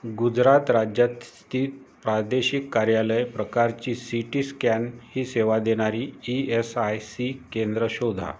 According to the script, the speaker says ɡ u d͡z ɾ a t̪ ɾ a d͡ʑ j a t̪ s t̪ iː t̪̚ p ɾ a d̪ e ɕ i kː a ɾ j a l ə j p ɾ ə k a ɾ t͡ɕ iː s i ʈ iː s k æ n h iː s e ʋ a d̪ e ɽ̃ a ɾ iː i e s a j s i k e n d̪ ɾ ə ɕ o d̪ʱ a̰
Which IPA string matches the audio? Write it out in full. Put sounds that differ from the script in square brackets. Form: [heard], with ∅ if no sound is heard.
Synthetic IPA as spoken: ɡ u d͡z ɾ a t̪ ɾ a d͡ʑ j a t̪ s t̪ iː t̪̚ p ɾ a d̪ e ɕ i kː a ɾ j a l ə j p ɾ ə k a ɾ t͡ɕ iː s i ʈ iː s k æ n h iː s e ʋ a d̪ e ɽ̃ a ɾ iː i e s a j s i k e n d̪ ɾ ə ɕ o d̪ʱ a̰